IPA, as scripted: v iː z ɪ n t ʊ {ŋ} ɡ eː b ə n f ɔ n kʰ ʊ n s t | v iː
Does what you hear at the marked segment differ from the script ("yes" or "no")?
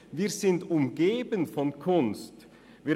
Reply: yes